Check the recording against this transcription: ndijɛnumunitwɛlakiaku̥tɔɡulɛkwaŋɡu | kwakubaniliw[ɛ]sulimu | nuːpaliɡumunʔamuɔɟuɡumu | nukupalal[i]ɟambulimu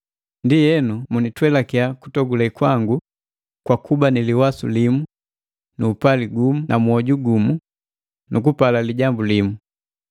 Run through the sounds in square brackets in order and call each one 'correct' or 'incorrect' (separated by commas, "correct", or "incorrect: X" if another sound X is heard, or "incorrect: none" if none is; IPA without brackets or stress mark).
incorrect: a, correct